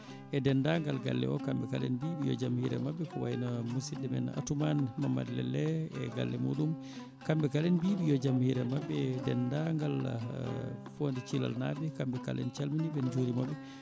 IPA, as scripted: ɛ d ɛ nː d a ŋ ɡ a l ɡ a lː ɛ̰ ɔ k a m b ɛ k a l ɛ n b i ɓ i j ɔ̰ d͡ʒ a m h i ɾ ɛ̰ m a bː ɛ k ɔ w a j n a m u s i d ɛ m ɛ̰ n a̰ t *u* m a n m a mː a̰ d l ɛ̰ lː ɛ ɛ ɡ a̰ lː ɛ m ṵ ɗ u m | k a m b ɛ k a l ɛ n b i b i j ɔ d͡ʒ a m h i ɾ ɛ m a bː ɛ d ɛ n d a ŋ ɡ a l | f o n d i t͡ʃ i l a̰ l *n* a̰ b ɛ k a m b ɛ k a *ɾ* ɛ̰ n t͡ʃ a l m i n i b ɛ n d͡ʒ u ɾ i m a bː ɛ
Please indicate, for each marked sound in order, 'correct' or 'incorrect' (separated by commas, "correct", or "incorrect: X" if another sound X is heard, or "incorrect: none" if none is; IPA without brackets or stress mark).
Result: correct, correct, incorrect: l